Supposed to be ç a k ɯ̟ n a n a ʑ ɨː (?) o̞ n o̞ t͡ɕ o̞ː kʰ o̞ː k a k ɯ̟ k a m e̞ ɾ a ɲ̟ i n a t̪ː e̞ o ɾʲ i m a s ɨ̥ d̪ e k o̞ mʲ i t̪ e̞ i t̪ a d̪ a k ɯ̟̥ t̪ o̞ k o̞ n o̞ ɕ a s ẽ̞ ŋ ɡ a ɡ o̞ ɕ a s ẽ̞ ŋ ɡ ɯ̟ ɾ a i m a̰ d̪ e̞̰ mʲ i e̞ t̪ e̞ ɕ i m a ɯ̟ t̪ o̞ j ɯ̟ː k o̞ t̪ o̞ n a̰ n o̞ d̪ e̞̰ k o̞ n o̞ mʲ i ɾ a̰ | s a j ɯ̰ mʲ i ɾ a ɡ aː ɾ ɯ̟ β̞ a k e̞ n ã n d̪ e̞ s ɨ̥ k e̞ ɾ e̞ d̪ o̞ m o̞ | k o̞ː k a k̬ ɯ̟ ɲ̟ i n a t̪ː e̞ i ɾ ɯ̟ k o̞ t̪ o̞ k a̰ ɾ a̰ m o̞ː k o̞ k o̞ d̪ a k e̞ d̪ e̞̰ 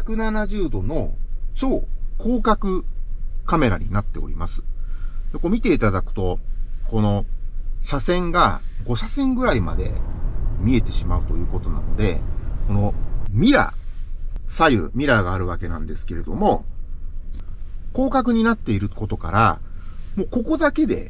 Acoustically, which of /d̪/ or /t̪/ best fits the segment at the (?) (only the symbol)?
d̪